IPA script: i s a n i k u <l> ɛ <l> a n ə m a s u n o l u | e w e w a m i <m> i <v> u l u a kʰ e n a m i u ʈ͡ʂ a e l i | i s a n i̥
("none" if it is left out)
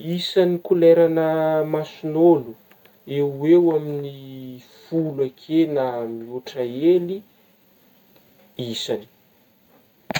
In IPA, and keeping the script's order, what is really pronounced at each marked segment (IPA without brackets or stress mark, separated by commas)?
l, ɾ, n, f